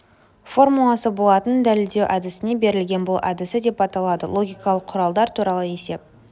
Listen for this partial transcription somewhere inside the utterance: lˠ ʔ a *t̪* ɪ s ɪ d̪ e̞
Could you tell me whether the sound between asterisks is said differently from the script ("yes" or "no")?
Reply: yes